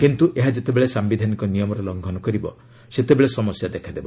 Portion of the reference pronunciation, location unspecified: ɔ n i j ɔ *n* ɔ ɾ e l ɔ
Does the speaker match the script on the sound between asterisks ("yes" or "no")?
no